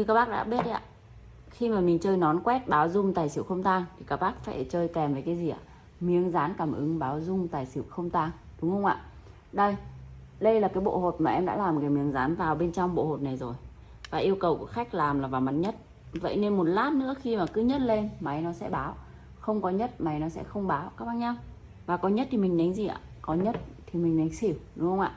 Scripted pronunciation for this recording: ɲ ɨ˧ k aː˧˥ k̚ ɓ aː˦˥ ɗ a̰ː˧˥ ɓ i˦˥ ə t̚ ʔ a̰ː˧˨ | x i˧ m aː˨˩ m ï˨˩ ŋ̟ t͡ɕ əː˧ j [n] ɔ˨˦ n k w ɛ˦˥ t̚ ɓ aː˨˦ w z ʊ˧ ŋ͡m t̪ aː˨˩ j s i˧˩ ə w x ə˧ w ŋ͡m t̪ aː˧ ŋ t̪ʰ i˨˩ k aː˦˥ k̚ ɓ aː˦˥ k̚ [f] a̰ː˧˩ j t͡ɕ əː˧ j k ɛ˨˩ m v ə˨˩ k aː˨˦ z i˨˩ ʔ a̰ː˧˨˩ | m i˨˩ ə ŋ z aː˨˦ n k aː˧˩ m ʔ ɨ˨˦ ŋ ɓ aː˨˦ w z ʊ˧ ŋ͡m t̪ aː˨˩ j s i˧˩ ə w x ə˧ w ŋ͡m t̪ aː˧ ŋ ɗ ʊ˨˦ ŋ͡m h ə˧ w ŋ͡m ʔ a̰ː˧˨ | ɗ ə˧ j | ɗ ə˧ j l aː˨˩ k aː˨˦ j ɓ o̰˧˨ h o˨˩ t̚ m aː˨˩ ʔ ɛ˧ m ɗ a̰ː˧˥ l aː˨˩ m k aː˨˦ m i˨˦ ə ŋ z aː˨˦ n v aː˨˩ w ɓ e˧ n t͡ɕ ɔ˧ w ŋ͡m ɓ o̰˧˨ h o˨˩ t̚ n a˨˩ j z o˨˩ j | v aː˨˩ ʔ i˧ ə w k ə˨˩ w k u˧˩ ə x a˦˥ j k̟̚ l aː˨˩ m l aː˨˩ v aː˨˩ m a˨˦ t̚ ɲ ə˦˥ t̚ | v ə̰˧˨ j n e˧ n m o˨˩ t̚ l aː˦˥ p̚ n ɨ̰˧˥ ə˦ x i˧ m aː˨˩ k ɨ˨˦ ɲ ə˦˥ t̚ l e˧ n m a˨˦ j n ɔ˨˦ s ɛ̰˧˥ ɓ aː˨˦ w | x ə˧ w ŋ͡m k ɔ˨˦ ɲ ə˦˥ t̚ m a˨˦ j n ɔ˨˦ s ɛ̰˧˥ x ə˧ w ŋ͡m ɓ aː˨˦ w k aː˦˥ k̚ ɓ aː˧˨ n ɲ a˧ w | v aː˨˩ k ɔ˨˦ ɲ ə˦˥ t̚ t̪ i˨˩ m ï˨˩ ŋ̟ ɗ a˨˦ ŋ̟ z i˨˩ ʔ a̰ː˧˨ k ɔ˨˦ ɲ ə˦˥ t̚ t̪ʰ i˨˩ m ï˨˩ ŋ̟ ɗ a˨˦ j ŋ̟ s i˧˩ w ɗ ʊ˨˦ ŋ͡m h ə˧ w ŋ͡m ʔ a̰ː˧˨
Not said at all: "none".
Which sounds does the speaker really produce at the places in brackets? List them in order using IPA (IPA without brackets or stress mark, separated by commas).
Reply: n, f